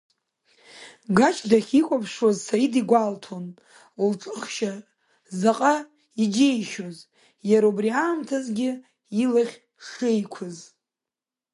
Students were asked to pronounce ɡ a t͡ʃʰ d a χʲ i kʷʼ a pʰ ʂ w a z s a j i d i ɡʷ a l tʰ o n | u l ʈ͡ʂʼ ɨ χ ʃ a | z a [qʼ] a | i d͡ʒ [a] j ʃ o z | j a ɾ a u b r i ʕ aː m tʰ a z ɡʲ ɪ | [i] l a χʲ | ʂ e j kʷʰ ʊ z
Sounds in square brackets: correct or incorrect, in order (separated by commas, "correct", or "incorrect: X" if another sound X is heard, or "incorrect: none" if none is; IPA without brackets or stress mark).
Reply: correct, incorrect: e, correct